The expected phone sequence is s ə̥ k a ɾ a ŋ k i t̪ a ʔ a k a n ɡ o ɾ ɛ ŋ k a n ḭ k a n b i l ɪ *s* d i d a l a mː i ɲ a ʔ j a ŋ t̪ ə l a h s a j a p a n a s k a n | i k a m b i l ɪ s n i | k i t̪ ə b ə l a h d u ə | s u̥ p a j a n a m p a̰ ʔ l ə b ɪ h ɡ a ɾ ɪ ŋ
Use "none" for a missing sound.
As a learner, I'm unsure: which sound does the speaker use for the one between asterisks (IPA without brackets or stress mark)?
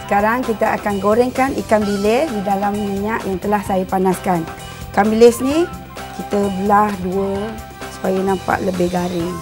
s